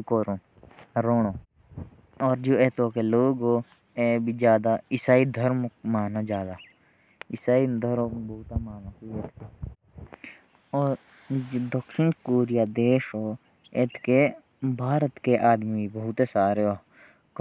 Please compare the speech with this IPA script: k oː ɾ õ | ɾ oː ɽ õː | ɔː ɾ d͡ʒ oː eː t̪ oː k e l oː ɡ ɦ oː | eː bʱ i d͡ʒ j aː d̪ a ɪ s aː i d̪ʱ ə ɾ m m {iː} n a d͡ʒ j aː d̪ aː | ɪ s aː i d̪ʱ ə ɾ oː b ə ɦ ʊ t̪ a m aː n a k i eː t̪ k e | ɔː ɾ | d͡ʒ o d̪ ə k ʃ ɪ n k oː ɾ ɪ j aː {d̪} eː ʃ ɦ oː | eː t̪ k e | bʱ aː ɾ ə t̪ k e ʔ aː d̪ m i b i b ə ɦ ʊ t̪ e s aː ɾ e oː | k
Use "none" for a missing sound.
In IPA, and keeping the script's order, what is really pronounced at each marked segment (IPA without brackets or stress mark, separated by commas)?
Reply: aː, d̪